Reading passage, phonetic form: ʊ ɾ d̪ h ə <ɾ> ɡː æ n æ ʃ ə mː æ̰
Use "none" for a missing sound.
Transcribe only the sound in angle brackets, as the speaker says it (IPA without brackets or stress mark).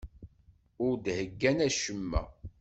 none